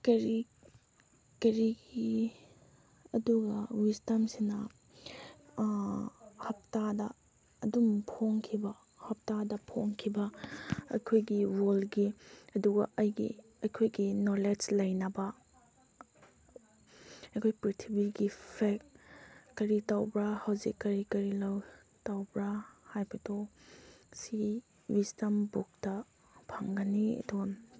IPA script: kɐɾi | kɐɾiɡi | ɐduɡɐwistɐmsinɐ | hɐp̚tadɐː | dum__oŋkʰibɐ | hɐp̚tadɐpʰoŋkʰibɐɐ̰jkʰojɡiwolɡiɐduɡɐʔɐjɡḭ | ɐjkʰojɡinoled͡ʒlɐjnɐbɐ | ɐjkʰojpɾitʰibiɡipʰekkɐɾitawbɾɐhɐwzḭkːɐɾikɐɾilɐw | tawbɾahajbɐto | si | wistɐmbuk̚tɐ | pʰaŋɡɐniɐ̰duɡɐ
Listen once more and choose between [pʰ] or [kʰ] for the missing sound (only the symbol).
pʰ